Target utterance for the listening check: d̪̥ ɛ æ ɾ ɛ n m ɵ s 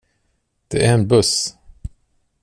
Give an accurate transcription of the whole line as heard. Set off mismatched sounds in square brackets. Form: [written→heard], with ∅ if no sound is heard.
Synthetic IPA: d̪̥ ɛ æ ɾ ɛ n [m→b] ɵ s